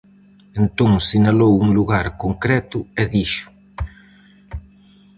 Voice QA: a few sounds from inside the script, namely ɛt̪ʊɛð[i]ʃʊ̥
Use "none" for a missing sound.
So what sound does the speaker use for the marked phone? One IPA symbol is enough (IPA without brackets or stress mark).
i